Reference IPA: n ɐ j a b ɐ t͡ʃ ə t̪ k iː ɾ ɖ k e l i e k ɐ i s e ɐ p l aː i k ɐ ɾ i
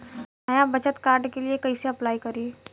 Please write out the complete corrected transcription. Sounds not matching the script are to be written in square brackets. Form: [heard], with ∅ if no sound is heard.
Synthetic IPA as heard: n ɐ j a b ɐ t͡ʃ ə t̪ k [aː] ɾ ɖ k e l i e k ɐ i s e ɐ p l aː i k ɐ ɾ i

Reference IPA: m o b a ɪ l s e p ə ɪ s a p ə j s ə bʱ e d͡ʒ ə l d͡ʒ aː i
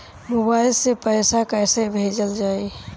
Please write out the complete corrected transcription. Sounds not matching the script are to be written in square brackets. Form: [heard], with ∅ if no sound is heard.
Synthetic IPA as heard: m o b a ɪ l s e p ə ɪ s a [k] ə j s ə bʱ e d͡ʒ ə l d͡ʒ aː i

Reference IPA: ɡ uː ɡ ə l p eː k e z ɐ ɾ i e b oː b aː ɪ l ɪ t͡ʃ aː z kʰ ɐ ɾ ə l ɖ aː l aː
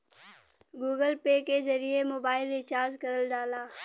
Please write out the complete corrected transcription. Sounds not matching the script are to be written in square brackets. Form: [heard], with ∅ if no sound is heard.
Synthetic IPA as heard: ɡ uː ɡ ə l p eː k e z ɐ ɾ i e [m] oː b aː ɪ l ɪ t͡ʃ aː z [k] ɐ ɾ ə l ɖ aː l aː

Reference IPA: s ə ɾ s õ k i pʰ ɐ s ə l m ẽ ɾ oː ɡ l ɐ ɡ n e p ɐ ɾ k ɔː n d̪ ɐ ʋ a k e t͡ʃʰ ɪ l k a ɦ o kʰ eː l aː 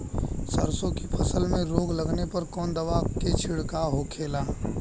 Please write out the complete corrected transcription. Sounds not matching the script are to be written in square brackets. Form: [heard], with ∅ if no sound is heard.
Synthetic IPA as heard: s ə ɾ s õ k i pʰ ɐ s ə l m ẽ ɾ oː ɡ l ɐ ɡ n e p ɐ ɾ k ɔː n d̪ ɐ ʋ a k e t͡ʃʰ ɪ [ɽ] k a ɦ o kʰ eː l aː

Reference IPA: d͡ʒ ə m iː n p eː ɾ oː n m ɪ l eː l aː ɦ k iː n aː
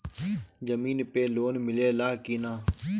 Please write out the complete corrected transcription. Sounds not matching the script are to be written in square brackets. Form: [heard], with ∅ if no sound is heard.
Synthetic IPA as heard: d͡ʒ ə m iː n p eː [l] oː n m ɪ l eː l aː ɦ k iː n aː

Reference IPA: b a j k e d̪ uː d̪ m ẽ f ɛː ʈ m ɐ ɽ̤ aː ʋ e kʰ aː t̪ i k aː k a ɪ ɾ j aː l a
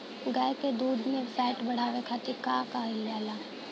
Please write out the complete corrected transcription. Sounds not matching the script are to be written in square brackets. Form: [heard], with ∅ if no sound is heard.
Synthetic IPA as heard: [ɡ] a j k e d̪ uː d̪ m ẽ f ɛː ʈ [b] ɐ ɽ̤ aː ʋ e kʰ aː t̪ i k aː k a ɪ [l] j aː l a

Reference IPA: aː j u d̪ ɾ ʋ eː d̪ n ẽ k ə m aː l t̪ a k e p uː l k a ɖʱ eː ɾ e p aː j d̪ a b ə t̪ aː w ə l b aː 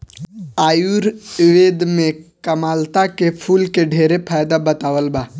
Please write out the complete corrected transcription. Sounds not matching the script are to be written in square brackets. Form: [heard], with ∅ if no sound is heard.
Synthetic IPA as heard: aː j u [∅] ɾ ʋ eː d̪ [m] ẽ k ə m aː l t̪ a k e [pʰ] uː l k [e] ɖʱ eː ɾ e [pʰ] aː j d̪ a b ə t̪ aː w ə l b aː

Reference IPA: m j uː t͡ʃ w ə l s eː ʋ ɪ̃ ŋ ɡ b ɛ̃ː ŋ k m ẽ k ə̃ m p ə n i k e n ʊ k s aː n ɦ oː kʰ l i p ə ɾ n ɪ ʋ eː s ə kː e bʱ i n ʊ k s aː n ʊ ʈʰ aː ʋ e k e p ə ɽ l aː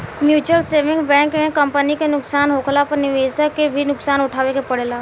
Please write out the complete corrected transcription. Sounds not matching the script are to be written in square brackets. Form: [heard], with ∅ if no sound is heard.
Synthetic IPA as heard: m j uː t͡ʃ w ə l s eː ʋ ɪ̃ ŋ ɡ b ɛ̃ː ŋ k m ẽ k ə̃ m p ə n i k e n ʊ k s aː n ɦ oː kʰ l [a] p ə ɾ n ɪ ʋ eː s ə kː e bʱ i n ʊ k s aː n ʊ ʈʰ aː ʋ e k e p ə ɽ l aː

